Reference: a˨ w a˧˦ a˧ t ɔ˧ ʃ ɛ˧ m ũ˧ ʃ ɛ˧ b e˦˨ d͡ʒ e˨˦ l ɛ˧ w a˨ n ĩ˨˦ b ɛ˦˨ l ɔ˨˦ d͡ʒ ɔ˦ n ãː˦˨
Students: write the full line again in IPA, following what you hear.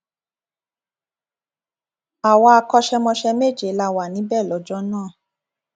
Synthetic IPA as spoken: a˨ w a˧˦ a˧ k ɔ˧ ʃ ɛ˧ m ɔ̃˧ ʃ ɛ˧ m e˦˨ d͡ʒ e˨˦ l a˧ w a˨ n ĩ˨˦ b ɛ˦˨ l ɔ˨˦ d͡ʒ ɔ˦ n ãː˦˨